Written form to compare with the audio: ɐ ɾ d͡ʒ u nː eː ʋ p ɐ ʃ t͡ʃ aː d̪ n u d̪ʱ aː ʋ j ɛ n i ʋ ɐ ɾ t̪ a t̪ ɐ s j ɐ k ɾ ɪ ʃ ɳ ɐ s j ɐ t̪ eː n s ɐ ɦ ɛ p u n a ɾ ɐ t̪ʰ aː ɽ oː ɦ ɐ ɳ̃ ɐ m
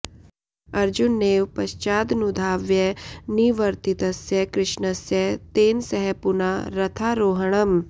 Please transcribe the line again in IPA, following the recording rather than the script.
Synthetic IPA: ɐ ɾ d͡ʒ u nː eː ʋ p ɐ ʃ t͡ʃ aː d̪ n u d̪ʱ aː ʋ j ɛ n i ʋ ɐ ɾ t̪ i t̪ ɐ s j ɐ k ɾ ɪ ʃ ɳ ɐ s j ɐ t̪ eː n s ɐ ɦ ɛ p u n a ɾ ɐ t̪ʰ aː ɾ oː ɦ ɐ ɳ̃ ɐ m